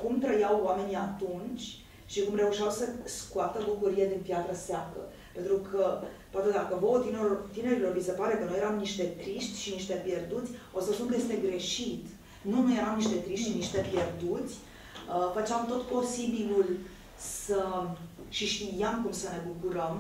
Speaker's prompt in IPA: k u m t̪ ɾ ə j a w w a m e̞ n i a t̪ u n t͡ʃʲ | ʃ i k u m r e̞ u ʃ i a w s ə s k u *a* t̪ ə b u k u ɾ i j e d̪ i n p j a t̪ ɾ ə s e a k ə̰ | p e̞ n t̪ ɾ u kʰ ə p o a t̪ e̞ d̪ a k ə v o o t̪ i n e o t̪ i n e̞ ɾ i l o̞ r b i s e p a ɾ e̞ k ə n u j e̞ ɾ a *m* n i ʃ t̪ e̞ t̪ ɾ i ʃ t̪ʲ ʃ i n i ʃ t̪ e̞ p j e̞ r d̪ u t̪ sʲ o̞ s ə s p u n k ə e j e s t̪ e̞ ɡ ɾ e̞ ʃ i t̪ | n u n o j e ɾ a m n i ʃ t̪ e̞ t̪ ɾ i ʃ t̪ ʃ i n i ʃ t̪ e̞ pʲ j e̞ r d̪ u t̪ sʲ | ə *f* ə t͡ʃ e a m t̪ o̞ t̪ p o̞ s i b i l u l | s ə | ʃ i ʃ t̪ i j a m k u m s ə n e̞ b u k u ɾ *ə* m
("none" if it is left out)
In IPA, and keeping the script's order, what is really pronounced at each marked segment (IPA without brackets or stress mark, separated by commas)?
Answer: a, m, f, ə